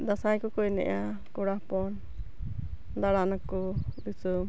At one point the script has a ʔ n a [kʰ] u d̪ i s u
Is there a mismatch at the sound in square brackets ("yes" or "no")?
yes